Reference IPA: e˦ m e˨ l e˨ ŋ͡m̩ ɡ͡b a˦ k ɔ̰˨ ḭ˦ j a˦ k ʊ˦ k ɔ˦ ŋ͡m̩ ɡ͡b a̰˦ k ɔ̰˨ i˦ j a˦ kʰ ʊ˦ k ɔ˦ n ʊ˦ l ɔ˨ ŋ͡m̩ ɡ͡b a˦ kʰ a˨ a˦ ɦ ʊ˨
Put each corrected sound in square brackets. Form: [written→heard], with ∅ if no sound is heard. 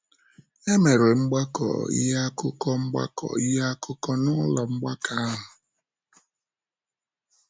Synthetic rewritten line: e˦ m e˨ [l→ɾ] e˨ ŋ͡m̩ ɡ͡b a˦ k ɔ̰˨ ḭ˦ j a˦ k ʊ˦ k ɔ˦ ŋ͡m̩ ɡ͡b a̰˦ k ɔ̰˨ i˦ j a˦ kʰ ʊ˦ k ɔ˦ n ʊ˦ l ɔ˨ ŋ͡m̩ ɡ͡b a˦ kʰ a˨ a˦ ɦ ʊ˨